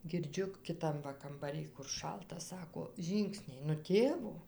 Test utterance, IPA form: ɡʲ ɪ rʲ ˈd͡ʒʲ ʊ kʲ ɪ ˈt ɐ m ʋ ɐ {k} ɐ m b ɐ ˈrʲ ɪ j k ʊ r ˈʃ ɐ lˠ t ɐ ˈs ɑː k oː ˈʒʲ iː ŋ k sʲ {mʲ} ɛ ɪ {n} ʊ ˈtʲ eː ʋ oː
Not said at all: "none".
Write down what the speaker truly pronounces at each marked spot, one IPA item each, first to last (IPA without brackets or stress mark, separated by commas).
k, nʲ, n